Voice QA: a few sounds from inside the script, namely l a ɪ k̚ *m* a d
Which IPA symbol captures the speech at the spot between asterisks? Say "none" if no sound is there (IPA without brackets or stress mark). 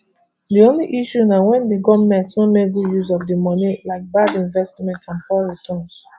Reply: b